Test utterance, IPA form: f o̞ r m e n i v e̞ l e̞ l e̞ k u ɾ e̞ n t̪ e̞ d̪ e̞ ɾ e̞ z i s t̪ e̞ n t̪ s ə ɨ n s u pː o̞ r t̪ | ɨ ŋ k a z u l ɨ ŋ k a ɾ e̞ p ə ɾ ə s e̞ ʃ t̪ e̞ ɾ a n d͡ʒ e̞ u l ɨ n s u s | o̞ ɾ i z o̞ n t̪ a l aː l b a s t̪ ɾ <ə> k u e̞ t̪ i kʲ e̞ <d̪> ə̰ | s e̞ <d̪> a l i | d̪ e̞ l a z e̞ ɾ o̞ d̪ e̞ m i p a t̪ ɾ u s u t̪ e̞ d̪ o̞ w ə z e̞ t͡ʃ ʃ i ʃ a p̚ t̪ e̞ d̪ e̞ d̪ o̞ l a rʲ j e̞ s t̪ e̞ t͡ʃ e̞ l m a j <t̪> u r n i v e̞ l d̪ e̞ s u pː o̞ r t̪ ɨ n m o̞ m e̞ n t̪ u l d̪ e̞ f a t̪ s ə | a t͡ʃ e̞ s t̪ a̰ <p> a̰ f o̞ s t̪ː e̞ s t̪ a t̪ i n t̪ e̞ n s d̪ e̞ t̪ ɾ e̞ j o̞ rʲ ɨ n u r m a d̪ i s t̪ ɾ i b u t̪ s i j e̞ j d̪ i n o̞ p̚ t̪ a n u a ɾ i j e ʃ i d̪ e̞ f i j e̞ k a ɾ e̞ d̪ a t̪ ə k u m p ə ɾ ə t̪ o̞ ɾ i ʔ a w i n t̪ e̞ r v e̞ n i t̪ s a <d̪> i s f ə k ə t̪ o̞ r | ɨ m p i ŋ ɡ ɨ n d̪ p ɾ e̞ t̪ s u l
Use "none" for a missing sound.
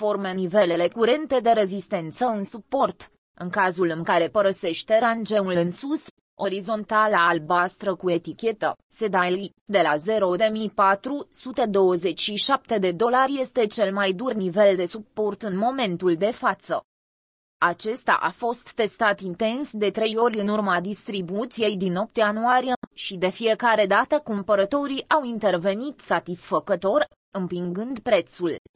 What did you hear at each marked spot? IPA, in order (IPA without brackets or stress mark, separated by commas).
ə, t̪, d̪, d̪, ʔ, t̪